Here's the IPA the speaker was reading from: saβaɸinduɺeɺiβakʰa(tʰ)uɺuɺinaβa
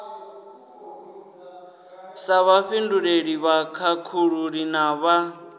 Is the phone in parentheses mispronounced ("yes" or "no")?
yes